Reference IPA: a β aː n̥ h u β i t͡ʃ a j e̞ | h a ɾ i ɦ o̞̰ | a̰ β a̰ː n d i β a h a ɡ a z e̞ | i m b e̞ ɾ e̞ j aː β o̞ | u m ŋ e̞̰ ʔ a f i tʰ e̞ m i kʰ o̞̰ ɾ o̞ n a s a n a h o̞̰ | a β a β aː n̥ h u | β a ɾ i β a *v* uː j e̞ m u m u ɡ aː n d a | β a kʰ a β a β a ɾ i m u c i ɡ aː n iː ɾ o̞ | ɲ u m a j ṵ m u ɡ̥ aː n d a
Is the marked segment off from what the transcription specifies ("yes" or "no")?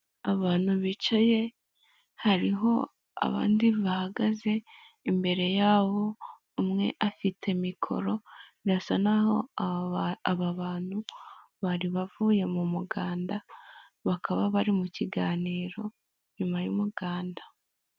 no